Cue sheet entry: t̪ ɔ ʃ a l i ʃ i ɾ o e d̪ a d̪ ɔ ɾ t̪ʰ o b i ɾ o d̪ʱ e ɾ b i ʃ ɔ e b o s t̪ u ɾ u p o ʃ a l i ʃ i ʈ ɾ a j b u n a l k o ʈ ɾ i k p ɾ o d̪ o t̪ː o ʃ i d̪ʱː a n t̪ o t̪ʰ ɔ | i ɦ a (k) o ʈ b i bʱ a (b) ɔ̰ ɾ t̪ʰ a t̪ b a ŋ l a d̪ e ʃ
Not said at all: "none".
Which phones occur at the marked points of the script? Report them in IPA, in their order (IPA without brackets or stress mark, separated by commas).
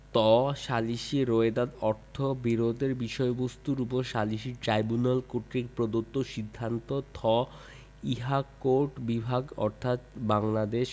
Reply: k, ɡ